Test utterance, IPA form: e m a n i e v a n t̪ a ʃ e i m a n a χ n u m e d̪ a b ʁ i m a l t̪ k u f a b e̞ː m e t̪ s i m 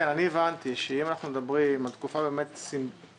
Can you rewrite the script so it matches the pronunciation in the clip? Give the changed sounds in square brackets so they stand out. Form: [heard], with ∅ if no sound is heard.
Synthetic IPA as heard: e [n] a n i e v a n t̪ [i] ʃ e i m a n a χ n u m e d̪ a b ʁ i m a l t̪ k u f a b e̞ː m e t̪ s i m